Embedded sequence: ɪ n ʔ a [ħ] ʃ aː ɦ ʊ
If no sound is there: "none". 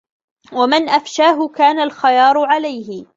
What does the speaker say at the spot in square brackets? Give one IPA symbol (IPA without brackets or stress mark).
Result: f